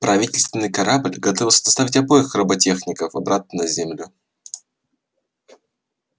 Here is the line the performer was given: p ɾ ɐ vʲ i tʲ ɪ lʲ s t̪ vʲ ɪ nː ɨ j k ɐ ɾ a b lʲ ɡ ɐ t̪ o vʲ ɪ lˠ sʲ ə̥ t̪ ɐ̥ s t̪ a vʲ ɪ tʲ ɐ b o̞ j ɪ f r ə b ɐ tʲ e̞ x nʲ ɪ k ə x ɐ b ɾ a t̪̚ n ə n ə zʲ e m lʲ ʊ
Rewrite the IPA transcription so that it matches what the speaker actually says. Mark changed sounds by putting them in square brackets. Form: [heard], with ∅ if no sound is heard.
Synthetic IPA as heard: p ɾ ɐ vʲ i tʲ ɪ lʲ s t̪ vʲ ɪ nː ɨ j k ɐ ɾ a b lʲ ɡ ɐ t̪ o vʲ ɪ lˠ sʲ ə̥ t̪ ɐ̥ s t̪ a vʲ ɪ tʲ ɐ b o̞ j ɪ [x] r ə b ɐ tʲ e̞ x nʲ ɪ k ə [f] ɐ b ɾ a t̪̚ n ə n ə zʲ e m lʲ ʊ